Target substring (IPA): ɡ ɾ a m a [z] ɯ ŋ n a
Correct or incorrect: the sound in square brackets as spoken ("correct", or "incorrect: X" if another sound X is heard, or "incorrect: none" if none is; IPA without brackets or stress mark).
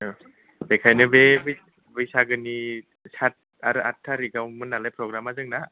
correct